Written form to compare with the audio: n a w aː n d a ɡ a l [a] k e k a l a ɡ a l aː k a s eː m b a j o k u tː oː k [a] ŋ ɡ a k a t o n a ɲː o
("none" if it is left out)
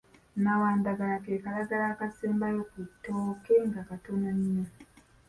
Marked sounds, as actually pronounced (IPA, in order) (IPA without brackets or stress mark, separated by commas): a, e